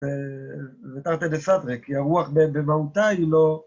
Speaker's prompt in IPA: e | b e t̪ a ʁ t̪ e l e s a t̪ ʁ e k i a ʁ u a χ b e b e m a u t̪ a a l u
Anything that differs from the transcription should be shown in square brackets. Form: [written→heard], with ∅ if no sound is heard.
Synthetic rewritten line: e | [b→v] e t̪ a ʁ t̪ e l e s a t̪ ʁ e k i a ʁ u a χ b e b e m a u t̪ a [a→i] l [u→o]